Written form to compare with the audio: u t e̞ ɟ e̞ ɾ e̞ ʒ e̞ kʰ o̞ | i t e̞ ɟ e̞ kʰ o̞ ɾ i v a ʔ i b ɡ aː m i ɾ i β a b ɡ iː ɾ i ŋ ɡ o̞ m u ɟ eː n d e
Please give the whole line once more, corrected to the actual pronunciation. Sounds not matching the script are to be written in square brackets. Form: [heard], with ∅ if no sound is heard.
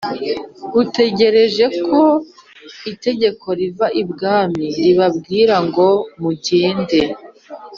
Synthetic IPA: u t e̞ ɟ e̞ ɾ e̞ ʒ e̞ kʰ o̞ | i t e̞ ɟ e̞ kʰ o̞ ɾ i v a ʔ i b ɡ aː m i ɾ i β a b ɡ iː ɾ [a] ŋ ɡ o̞ m u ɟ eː n d e